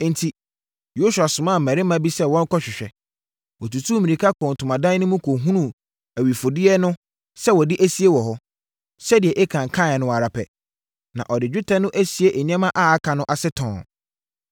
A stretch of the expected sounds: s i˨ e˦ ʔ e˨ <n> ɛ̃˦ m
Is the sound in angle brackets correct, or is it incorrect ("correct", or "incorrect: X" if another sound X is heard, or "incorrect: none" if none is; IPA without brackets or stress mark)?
incorrect: ɲ